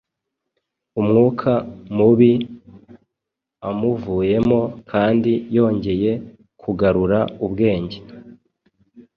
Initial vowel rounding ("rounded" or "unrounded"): rounded